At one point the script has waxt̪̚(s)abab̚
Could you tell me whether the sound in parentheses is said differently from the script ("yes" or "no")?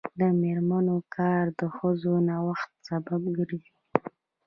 no